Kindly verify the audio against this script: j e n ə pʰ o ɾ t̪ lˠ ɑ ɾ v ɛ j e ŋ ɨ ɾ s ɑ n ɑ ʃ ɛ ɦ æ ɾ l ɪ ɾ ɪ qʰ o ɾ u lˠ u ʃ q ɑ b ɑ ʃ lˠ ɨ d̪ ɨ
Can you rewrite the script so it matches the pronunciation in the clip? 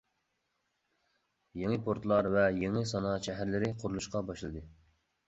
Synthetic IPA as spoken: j e ŋ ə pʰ o ɾ t̪ lˠ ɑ ɾ v ɛ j e ŋ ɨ s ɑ n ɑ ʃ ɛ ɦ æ ɾ l ɪ ɾ ɪ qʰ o ɾ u lˠ u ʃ q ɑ b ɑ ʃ lˠ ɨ d̪ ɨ